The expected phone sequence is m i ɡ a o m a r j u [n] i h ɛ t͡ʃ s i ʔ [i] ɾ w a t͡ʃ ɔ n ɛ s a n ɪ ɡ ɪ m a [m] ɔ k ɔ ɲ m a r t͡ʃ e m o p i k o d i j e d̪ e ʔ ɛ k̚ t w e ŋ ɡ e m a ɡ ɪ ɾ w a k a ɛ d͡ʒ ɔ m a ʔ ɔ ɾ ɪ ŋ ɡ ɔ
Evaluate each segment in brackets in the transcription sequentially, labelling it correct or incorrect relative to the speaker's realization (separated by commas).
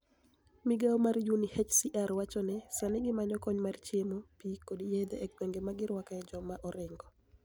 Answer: correct, incorrect, incorrect